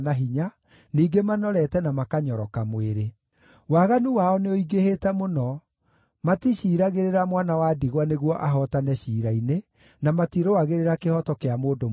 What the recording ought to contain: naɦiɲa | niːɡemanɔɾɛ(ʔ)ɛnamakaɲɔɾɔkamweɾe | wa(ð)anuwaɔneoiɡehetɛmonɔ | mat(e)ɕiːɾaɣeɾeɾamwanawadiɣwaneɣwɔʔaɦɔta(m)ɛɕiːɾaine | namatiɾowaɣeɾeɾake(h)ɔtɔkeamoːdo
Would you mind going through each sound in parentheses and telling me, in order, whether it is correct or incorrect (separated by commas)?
incorrect, incorrect, incorrect, incorrect, correct